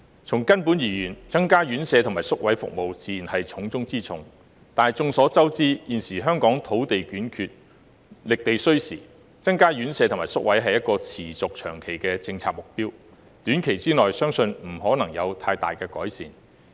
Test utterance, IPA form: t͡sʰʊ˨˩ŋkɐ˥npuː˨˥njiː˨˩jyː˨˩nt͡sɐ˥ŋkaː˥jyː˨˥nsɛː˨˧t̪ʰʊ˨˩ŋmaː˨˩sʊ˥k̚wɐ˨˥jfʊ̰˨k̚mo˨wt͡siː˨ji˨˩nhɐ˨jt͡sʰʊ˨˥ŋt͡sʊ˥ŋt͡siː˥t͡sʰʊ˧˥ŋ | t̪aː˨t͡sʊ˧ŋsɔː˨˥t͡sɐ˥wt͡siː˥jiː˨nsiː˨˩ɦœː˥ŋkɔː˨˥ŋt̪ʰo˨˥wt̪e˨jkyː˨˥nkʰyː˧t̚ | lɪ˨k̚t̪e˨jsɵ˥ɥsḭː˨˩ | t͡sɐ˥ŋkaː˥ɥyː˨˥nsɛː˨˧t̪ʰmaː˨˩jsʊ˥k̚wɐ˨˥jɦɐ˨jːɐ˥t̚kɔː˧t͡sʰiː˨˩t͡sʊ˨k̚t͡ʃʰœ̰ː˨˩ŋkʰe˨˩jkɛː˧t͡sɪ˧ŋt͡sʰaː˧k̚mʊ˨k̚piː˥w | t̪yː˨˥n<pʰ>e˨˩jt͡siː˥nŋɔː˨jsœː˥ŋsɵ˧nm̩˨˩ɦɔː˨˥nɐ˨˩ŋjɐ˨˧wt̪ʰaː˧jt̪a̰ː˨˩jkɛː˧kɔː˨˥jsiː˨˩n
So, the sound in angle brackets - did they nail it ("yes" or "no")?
no